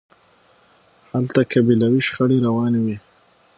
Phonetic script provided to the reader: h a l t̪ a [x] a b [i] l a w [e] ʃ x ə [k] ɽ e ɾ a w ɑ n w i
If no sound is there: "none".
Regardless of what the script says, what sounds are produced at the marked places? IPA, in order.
k, i, i, none

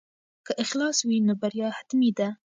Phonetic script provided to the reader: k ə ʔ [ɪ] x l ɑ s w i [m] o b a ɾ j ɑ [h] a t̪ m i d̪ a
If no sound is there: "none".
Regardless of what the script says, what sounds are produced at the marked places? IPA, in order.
ɪ, n, h

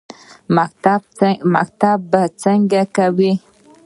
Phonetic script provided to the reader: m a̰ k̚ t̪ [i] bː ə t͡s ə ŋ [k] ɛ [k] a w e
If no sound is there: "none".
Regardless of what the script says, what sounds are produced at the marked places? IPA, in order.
a, ɡ, k

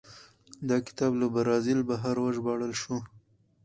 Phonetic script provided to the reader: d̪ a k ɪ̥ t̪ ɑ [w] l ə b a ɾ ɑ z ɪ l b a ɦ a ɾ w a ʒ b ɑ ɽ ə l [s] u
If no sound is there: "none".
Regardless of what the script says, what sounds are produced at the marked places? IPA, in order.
b, ʃ

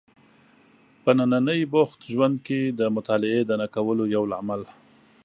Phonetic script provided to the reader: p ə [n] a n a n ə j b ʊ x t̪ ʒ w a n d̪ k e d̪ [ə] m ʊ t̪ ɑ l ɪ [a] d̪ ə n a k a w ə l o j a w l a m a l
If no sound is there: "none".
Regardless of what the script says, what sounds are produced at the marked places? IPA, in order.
n, ə, e

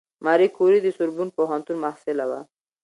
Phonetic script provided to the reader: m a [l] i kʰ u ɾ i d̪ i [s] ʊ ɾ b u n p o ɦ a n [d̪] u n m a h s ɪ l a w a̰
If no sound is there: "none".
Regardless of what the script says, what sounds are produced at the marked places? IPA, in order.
ɾ, s, t̪

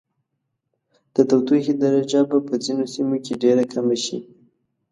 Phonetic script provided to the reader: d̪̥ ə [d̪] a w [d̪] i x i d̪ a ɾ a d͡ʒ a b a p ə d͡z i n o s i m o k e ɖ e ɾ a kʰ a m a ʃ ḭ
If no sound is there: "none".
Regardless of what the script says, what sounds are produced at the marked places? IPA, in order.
t̪, t̪

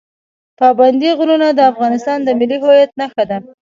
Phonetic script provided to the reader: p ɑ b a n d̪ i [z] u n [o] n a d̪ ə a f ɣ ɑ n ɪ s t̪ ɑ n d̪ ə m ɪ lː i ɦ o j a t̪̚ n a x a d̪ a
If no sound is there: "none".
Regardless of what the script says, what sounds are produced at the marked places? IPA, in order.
ɣ, u

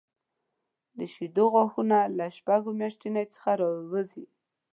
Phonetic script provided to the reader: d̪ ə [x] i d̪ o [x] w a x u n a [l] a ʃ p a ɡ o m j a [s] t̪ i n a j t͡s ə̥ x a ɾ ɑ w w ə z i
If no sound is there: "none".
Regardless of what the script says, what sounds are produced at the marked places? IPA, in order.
ʃ, ɣ, l, ʃ

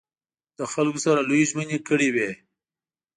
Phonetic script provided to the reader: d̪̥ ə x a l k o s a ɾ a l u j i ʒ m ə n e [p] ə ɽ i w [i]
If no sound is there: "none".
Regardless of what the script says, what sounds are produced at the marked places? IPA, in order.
k, e

